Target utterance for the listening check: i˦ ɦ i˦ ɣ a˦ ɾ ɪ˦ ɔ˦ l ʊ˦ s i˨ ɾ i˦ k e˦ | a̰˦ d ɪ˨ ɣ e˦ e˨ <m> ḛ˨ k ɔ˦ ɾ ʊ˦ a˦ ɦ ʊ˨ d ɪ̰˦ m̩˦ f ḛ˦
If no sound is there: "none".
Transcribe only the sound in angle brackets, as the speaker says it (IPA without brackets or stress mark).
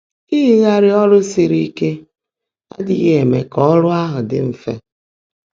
m